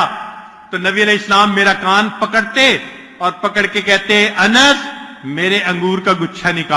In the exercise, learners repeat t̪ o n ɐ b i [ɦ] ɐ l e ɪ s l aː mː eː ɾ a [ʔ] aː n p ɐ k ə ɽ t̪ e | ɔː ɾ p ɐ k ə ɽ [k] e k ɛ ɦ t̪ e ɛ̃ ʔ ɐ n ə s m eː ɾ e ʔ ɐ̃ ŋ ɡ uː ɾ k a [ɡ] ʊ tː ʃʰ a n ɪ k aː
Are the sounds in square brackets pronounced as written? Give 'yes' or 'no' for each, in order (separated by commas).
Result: no, no, yes, yes